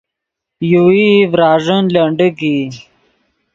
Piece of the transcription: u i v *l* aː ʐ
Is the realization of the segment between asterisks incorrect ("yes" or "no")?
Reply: yes